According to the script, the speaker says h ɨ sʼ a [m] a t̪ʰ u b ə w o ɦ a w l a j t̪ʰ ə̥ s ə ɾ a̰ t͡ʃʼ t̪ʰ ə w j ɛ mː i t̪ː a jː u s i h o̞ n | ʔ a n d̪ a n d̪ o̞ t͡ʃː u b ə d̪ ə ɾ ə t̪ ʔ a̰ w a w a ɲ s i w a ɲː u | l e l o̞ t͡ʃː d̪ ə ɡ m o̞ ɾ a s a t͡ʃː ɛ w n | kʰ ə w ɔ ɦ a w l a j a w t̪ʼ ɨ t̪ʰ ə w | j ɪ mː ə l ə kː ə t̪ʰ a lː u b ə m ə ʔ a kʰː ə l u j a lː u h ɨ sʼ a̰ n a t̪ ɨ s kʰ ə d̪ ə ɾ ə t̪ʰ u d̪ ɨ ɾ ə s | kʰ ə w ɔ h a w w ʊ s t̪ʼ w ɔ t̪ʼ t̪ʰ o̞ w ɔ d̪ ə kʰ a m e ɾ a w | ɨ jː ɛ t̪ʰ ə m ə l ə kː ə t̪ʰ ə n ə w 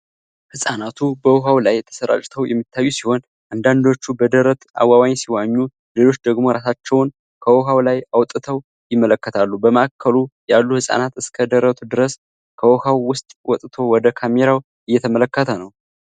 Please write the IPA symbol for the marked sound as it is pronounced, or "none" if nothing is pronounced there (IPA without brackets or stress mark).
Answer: n